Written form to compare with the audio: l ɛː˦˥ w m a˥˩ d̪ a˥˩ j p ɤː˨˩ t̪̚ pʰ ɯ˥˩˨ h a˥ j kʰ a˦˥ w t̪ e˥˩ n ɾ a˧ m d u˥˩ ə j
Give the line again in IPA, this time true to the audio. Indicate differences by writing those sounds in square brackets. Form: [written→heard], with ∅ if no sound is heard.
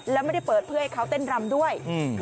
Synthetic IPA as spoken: l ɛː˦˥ w m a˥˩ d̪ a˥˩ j p ɤː˨˩ t̪̚ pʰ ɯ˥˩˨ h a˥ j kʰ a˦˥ w t̪ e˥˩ n ɾ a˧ m d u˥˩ ə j